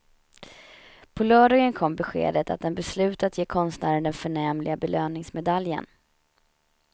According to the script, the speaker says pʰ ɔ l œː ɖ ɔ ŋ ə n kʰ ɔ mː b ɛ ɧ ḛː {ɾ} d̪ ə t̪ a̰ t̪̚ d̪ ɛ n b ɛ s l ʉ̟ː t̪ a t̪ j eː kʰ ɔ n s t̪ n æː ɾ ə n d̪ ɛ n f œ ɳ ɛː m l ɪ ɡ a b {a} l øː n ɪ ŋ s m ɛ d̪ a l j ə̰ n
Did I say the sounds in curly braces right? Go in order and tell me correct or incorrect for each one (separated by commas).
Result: incorrect, incorrect